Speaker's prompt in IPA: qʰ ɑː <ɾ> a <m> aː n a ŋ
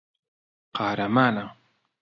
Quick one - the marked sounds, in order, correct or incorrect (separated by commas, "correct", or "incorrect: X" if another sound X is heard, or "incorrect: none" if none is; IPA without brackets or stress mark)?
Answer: correct, correct